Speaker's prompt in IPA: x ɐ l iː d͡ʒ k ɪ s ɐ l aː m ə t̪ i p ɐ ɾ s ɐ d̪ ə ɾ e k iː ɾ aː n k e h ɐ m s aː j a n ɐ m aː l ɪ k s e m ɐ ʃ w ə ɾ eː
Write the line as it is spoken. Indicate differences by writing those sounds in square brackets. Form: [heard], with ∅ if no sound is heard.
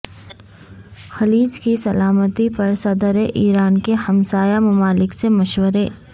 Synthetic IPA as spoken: x ɐ l iː d͡ʒ k [i] s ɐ l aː m ə t̪ i p ɐ ɾ s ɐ d̪ ə ɾ e [ʔ] iː ɾ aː n k e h ɐ m s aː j a [m] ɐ m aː l ɪ k s e m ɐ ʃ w ə ɾ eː